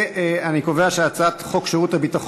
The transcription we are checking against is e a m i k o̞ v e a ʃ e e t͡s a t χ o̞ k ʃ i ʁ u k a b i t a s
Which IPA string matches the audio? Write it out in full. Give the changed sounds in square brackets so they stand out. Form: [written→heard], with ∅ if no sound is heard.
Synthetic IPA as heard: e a [m→n] i k o̞ v e a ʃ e [e→a] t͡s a t χ o̞ k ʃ [i→e] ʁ u [k→t] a b i t a [s→χ]